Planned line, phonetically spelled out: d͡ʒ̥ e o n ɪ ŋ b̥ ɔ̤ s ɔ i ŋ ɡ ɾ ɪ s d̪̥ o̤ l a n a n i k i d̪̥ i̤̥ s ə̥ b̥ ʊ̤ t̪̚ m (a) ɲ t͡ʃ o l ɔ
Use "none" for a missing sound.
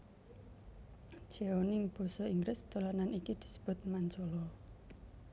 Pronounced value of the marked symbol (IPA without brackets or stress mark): a